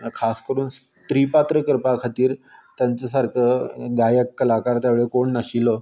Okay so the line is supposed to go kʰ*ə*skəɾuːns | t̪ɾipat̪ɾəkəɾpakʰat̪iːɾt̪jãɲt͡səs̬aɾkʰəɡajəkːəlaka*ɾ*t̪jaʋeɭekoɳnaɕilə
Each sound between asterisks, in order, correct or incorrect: incorrect, correct

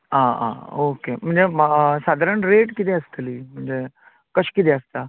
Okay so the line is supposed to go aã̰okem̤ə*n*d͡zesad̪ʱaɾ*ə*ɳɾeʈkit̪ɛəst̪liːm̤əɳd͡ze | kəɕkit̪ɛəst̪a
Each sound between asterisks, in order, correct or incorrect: incorrect, correct

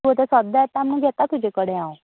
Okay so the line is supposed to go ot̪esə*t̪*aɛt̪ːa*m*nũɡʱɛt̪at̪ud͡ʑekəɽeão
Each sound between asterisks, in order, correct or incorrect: incorrect, correct

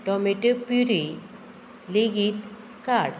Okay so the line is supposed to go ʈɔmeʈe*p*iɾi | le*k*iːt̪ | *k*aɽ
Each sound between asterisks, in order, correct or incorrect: correct, incorrect, correct

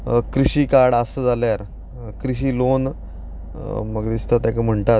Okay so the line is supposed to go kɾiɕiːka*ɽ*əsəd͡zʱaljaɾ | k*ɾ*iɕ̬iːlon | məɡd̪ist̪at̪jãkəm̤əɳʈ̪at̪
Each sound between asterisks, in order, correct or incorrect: correct, correct

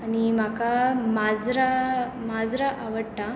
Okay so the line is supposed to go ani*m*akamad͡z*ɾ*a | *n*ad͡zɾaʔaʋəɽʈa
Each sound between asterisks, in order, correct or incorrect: correct, correct, incorrect

